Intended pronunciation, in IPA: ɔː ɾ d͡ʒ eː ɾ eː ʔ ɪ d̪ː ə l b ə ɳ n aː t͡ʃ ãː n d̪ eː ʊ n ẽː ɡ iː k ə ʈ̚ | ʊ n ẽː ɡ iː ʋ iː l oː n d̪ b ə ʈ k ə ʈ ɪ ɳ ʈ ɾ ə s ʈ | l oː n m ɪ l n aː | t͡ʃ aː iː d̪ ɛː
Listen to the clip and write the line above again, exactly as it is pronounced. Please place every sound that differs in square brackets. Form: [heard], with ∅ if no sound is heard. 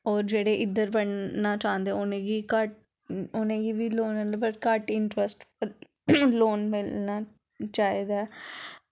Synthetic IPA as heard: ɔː ɾ d͡ʒ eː [ɽ] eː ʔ ɪ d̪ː ə [ɾ] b ə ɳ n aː t͡ʃ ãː n d̪ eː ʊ n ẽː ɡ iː k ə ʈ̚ | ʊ n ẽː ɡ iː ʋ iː l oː n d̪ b ə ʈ k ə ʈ ɪ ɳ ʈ ɾ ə s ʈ | l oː n m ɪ l n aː | t͡ʃ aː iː d̪ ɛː